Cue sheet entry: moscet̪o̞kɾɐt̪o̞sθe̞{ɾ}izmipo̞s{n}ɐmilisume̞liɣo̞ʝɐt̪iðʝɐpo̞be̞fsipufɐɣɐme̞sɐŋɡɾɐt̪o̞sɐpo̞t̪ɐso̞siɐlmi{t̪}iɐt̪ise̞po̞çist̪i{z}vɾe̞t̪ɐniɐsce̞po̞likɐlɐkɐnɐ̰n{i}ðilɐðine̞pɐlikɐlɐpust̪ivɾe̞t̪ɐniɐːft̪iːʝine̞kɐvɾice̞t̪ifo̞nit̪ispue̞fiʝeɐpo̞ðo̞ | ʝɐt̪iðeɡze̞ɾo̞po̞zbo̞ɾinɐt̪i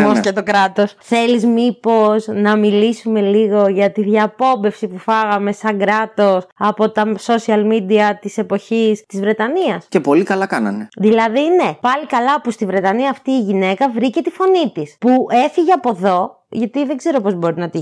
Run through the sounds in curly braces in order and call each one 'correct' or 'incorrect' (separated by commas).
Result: incorrect, correct, incorrect, correct, incorrect